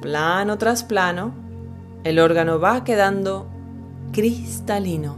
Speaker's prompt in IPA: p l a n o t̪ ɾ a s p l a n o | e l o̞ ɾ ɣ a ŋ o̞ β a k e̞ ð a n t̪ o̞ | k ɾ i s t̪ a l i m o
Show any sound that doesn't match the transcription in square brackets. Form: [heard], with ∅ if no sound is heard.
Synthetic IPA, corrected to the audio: p l a n o t̪ ɾ a s p l a n o | e l o̞ ɾ ɣ a [n] o̞ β a k e̞ ð a n [d̪] o̞ | k ɾ i s t̪ a l i [n] o

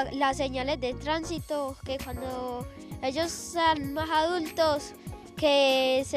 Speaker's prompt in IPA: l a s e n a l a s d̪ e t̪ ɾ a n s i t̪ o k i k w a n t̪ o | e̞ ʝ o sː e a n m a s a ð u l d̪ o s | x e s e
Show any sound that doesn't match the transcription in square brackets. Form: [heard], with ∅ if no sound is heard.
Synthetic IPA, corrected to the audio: l a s e [ɲ] a l [e] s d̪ e t̪ ɾ a n s i t̪ o k [e] k w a n [d̪] o | e̞ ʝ o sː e a n m a s a ð u l [t̪] o s | [k] e s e

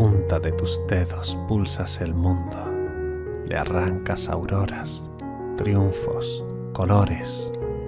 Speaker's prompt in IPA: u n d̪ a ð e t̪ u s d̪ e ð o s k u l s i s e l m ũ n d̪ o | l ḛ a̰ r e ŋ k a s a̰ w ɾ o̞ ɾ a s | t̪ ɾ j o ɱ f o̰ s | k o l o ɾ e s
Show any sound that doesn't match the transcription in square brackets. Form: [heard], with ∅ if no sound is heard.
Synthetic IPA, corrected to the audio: u n [t̪] a ð e t̪ u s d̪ e ð o s [p] u l s [a] s e l m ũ n d̪ o | l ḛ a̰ r [a] ŋ k a s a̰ w ɾ o̞ ɾ a s | t̪ ɾ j [u] ɱ f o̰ s | k o l o ɾ e s

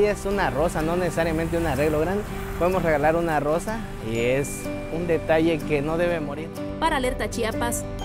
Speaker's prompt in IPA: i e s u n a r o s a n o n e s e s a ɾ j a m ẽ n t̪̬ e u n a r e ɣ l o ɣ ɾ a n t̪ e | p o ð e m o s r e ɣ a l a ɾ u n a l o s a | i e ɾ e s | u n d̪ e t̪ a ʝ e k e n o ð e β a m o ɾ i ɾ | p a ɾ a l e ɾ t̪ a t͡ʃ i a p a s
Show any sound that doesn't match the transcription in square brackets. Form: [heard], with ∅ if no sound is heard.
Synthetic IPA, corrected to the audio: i e s u n a r o s a n o n e s e s a ɾ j a m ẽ n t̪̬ e u n a r e ɣ l o ɣ ɾ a n [d̪] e | p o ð e m o s r e ɣ a l a ɾ u n a [r] o s a | i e [∅] e s | u n d̪ e t̪ a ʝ e k e n o ð e β [e] m o ɾ i ɾ | p a ɾ a l e ɾ t̪ a t͡ʃ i a p a s

